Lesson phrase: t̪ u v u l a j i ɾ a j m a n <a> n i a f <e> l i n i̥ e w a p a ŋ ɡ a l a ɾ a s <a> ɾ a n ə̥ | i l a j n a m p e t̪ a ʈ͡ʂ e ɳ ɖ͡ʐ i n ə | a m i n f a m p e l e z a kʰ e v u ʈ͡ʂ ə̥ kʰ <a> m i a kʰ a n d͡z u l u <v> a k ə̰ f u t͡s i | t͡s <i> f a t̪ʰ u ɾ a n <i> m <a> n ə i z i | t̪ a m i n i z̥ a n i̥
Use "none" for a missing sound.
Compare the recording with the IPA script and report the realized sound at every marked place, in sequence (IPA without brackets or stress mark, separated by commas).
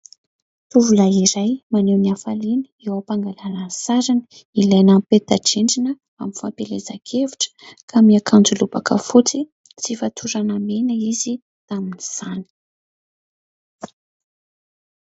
e, a, a, a, b, i, a, e